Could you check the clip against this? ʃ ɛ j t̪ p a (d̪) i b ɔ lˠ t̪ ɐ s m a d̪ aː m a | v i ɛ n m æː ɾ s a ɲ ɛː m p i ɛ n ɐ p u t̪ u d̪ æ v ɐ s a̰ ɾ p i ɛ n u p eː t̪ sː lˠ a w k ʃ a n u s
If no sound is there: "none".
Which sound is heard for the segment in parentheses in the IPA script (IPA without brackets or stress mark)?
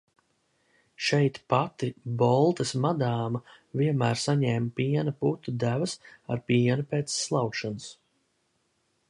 t̪